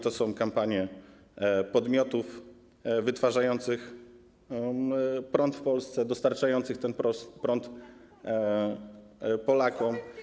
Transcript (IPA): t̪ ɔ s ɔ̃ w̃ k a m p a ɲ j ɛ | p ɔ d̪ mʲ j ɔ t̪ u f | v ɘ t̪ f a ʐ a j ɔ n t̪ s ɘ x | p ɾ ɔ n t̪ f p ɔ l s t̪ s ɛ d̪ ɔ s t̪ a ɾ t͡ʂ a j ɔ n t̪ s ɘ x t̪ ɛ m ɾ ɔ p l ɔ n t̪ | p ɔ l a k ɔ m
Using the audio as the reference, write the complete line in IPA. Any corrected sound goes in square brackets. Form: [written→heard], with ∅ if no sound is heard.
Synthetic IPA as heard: t̪ ɔ s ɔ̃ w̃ k a m p a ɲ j ɛ | p ɔ d̪ mʲ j ɔ t̪ u f | v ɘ t̪ f a ʐ a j ɔ n t̪ s ɘ x | p ɾ ɔ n t̪ f p ɔ l s t̪ s ɛ d̪ ɔ s t̪ a ɾ t͡ʂ a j ɔ n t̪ s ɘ x t̪ ɛ [m→n] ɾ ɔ p [l→ɾ] ɔ n t̪ | p ɔ l a k ɔ m